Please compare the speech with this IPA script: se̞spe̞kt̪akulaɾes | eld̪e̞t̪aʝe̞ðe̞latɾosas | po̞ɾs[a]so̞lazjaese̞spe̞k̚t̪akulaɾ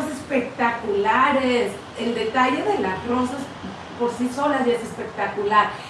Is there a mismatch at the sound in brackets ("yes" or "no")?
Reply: yes